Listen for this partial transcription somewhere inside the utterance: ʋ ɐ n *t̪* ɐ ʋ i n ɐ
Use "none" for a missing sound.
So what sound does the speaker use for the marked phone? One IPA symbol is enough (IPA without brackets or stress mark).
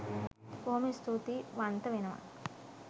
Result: t̪